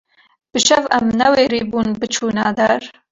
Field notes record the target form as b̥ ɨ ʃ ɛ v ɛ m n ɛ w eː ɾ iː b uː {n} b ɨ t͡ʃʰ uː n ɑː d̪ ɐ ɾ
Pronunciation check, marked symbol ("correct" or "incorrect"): correct